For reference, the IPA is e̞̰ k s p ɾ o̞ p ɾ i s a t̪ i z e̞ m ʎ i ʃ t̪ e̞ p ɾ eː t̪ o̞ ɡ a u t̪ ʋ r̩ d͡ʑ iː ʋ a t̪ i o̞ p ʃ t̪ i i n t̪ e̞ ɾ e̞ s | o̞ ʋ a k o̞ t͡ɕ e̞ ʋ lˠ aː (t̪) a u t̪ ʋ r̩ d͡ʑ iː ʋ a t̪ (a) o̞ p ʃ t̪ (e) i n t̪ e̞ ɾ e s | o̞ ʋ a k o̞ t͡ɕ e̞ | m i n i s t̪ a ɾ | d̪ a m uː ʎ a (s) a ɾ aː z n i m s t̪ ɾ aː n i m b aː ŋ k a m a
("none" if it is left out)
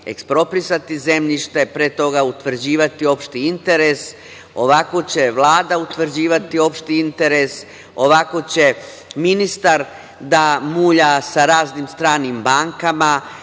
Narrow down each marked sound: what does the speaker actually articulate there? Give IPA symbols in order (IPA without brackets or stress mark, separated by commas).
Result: d̪, i, i, s